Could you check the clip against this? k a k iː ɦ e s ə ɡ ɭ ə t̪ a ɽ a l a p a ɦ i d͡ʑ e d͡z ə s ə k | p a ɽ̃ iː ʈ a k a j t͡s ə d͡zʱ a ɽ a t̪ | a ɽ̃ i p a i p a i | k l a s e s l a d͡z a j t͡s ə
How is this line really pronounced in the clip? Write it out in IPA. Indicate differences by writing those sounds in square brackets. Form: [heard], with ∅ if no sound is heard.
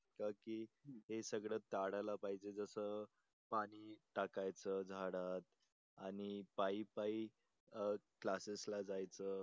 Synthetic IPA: k a k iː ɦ e s ə ɡ ɭ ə t̪ a ɽ a l a p a ɦ i d͡ʑ e d͡z ə s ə [∅] | p a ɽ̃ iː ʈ a k a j t͡s ə d͡zʱ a ɽ a t̪ | a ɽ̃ i p a i p a i | k l a s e s l a d͡z a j t͡s ə

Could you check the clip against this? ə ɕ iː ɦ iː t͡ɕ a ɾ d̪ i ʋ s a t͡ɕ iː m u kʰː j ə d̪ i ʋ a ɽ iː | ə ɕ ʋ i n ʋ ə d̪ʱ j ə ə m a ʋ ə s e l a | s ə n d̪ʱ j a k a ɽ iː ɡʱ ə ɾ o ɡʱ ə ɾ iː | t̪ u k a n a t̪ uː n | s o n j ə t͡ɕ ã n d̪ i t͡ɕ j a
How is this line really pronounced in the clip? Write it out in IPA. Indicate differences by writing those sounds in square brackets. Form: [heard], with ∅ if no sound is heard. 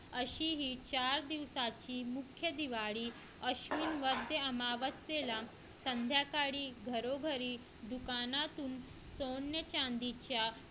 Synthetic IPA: ə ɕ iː ɦ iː t͡ɕ a ɾ d̪ i ʋ s a t͡ɕ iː m u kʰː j ə d̪ i ʋ a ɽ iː | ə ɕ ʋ i n ʋ ə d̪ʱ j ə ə m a ʋ ə s e l a | s ə n d̪ʱ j a k a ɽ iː ɡʱ ə ɾ o ɡʱ ə ɾ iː | [d̪] u k a n a t̪ uː n | s o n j ə t͡ɕ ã n d̪ i t͡ɕ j a

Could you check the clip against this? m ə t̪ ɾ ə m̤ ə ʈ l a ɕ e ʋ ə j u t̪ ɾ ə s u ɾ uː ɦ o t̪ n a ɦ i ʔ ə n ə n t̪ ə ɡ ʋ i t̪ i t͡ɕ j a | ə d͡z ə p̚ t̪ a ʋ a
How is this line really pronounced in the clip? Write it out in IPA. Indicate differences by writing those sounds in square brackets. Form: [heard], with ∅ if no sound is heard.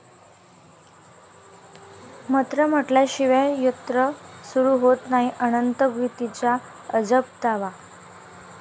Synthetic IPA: m ə t̪ ɾ ə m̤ ə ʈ l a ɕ [i] ʋ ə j u t̪ ɾ ə s u ɾ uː ɦ o t̪ n a ɦ i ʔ ə n ə n t̪ ə ɡ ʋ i t̪ i t͡ɕ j a | ə d͡z ə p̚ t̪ a ʋ a

